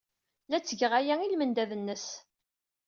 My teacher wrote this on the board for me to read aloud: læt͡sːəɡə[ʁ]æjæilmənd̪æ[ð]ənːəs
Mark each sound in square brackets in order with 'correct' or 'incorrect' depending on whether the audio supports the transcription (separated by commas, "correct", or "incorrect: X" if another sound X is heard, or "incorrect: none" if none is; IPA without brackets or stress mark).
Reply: correct, correct